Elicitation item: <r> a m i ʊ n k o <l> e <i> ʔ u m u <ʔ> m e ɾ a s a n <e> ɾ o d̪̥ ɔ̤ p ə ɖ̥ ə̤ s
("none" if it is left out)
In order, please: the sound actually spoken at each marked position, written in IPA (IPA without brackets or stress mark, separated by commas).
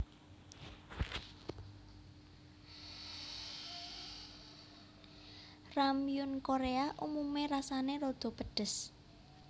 r, ɾ, a, none, e